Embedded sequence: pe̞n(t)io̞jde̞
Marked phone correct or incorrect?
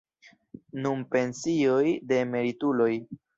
incorrect: s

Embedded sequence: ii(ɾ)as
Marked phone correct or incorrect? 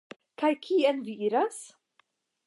correct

